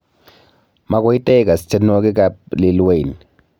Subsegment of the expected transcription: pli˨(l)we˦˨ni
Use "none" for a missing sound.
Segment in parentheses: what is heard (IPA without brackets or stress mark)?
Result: l